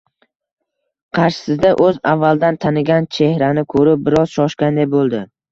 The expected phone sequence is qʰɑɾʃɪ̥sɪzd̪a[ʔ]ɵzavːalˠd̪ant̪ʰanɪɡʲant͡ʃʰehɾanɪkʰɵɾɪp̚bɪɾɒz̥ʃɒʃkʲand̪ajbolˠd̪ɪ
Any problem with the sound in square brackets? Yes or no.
no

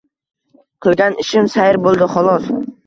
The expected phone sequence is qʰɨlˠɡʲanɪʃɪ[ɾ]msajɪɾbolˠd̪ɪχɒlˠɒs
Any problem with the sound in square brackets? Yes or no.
yes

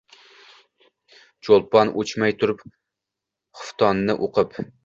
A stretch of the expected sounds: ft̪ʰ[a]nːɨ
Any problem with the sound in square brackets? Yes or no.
yes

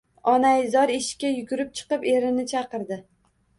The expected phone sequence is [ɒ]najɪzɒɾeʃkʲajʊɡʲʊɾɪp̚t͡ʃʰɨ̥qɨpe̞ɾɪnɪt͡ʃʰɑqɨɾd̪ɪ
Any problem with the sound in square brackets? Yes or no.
no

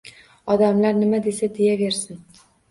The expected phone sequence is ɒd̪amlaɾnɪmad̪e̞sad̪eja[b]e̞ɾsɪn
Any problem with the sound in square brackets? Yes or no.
yes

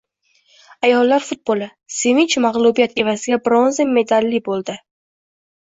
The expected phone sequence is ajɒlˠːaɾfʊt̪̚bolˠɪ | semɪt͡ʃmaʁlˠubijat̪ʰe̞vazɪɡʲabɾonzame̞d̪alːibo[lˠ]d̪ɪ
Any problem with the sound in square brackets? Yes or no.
no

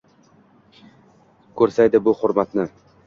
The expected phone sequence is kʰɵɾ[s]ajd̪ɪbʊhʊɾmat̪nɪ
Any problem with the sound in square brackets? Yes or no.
no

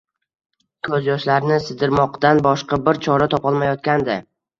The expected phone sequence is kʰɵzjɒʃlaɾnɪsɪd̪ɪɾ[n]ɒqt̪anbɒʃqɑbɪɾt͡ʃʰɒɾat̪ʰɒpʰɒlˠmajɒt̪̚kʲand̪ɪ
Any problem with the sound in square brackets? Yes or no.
yes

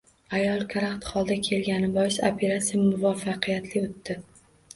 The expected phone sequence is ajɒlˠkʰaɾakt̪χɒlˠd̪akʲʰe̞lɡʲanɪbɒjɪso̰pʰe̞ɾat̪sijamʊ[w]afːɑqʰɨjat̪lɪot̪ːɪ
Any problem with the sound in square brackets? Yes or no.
yes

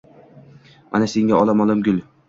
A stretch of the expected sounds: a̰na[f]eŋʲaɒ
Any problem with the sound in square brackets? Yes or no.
yes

